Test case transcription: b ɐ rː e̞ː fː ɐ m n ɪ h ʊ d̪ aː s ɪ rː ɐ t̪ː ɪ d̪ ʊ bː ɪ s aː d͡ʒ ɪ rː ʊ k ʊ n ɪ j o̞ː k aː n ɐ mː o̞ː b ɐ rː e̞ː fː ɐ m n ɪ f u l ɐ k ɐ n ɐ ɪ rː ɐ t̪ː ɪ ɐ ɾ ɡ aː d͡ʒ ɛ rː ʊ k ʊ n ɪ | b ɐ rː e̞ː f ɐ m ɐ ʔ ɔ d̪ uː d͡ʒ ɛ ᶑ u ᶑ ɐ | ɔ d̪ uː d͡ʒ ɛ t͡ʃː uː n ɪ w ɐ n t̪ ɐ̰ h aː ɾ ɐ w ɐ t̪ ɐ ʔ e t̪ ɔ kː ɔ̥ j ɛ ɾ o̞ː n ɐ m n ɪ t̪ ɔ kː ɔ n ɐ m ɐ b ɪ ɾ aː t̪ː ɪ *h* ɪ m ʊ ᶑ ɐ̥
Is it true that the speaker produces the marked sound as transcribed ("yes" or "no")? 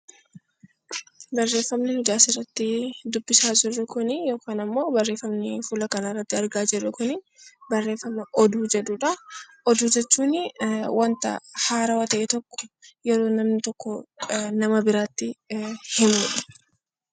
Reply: yes